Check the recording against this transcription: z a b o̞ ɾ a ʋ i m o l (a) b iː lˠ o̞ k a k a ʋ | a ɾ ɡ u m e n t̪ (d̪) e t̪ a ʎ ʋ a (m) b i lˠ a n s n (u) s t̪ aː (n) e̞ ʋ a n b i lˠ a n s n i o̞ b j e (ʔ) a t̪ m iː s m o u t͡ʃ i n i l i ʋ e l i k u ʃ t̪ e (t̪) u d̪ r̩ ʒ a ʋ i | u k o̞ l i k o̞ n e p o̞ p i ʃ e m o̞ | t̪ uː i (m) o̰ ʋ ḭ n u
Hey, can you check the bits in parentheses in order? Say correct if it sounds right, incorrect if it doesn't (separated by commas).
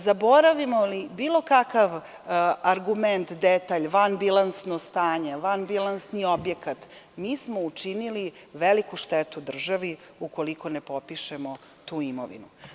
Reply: incorrect, correct, incorrect, incorrect, incorrect, incorrect, correct, correct